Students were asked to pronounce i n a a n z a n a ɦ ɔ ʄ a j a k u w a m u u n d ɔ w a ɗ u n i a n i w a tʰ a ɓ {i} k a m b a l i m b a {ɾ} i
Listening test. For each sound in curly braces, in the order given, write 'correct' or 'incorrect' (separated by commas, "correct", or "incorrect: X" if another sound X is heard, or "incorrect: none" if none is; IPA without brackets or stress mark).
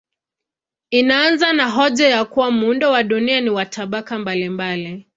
incorrect: a, incorrect: l